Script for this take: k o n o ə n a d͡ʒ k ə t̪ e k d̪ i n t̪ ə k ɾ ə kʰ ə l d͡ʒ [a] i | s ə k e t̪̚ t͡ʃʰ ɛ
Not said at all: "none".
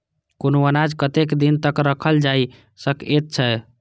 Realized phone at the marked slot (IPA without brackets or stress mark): a